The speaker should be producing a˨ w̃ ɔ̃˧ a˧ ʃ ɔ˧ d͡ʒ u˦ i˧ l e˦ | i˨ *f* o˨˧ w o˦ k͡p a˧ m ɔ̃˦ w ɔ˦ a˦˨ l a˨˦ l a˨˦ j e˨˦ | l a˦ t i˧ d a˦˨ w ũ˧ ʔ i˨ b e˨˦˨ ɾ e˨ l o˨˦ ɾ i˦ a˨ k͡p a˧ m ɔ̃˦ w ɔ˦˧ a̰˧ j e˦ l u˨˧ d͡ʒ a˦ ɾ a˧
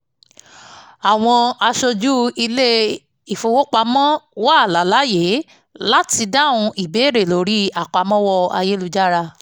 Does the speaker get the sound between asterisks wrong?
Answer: no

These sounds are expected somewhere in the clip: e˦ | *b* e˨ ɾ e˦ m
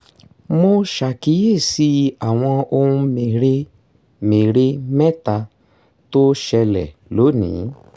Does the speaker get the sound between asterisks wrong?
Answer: yes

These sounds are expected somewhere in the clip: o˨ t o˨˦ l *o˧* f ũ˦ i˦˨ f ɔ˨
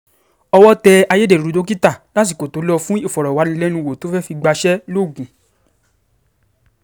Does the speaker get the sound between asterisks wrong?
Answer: yes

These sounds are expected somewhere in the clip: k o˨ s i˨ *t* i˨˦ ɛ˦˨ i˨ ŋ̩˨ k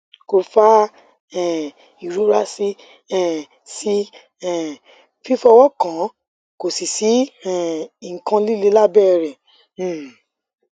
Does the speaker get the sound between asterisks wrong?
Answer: yes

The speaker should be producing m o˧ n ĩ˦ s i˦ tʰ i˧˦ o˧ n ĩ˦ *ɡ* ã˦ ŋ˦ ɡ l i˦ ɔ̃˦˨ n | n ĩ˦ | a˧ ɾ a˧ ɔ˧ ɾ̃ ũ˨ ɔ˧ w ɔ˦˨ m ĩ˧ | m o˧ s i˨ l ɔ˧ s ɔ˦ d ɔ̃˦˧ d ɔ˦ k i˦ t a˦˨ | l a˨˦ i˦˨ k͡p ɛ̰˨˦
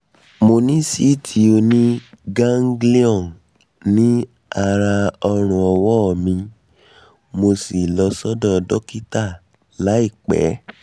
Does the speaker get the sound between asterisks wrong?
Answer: no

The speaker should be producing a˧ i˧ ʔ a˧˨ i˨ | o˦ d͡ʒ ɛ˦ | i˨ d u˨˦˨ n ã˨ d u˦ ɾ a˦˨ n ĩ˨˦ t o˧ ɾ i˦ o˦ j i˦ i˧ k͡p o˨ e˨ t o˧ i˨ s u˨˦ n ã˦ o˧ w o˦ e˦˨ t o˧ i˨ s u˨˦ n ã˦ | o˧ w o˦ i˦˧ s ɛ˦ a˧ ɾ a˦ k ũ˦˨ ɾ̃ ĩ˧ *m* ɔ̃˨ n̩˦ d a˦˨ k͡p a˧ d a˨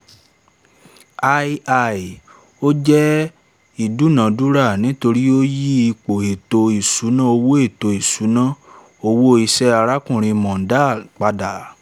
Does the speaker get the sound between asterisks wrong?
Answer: no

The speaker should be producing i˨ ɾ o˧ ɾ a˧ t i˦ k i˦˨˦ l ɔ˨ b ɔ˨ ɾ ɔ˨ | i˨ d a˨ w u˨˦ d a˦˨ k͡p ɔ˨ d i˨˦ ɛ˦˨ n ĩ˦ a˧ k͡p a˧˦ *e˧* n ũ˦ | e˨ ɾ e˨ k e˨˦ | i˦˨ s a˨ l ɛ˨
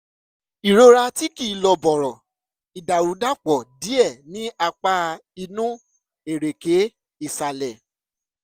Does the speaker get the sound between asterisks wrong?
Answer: yes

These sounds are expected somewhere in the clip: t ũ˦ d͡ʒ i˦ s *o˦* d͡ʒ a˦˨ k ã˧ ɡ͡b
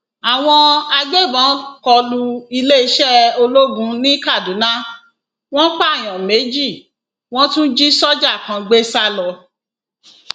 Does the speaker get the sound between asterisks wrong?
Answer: yes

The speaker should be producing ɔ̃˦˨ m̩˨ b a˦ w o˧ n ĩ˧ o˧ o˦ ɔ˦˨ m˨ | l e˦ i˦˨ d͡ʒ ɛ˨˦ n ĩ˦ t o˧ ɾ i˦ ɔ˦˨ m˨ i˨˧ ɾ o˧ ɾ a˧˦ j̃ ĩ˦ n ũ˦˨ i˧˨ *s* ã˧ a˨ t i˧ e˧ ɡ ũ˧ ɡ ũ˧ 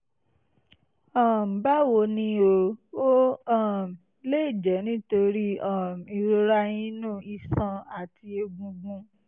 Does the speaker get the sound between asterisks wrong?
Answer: no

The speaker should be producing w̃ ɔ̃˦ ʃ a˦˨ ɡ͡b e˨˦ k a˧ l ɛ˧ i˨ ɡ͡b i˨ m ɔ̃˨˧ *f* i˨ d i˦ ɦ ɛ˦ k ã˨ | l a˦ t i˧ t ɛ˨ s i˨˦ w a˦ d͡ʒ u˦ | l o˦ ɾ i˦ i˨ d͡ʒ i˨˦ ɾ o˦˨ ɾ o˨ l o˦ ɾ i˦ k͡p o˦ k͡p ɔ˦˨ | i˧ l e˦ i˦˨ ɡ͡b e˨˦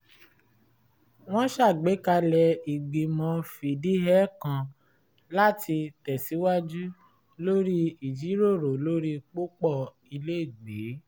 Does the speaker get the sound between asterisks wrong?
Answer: no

